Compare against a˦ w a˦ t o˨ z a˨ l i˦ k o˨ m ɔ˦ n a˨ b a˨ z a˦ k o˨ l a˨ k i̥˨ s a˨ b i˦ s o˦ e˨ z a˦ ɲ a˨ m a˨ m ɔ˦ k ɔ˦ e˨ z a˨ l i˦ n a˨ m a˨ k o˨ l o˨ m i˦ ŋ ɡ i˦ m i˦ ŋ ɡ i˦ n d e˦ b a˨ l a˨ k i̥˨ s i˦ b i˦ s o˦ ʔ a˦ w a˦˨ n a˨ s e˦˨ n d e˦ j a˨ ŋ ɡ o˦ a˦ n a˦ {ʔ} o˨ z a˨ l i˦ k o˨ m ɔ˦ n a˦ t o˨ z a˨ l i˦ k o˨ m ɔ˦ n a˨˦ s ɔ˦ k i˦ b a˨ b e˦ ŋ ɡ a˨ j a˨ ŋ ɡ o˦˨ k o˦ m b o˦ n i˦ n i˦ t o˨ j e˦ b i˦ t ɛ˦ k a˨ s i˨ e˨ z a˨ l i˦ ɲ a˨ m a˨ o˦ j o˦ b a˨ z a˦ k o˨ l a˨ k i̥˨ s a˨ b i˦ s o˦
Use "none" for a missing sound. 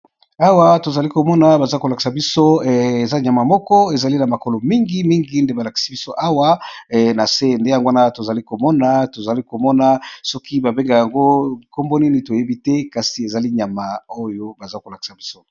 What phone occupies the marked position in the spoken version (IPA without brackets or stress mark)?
t